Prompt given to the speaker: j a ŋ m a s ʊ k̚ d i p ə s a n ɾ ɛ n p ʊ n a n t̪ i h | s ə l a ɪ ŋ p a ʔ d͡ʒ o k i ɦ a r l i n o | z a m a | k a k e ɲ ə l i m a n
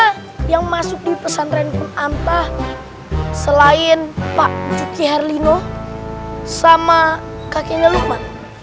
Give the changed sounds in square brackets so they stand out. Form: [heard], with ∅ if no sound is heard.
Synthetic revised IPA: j a ŋ m a s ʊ k̚ d i p ə s a n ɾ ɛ n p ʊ n a n t̪ [a] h | s ə l a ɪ [n] p a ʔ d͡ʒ [u] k i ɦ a r l i n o | [s] a m a | k a k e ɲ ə l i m a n